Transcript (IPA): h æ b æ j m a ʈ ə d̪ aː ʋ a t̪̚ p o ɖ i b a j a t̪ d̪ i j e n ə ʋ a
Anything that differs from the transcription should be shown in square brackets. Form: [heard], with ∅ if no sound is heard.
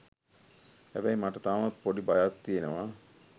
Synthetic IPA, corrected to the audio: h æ b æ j m a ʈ ə [t̪] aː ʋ a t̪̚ p o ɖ i b a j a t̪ [t̪] i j e n ə ʋ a